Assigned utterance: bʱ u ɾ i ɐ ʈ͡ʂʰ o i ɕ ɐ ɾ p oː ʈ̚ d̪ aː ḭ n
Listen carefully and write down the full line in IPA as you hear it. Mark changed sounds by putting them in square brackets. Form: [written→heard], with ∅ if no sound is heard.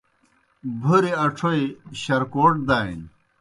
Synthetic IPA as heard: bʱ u ɾ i ɐ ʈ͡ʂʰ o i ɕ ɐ ɾ [p→k] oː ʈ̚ d̪ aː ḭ n